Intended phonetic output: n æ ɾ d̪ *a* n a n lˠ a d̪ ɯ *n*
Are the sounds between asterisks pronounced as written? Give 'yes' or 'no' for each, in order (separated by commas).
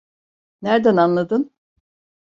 no, yes